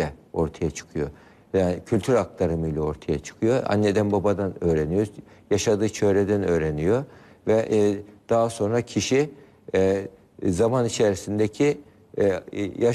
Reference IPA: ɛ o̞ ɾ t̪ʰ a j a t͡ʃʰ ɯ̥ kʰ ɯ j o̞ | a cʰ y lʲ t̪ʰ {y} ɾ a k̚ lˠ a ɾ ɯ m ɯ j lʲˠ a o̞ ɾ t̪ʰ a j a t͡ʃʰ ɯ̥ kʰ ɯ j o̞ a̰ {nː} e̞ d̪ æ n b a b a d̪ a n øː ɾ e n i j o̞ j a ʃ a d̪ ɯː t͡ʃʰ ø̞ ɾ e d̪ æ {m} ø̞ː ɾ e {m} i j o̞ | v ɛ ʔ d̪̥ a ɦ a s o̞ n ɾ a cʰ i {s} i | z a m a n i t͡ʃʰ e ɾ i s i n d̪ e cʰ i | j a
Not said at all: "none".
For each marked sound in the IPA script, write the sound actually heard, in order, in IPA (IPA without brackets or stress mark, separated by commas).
y, nː, n, n, ʃ